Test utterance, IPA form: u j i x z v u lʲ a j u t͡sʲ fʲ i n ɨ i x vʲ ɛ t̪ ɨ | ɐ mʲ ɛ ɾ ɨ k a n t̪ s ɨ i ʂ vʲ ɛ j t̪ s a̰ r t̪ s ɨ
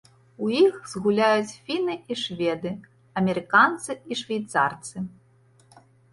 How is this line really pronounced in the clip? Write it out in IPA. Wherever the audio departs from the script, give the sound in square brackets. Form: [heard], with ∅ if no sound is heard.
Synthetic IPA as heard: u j i x z [ɣ] u lʲ a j u t͡sʲ fʲ i n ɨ i [ʂ] vʲ ɛ [d̪] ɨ | ɐ mʲ ɛ ɾ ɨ k a n t̪ s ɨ i ʂ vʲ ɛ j t̪ s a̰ r t̪ s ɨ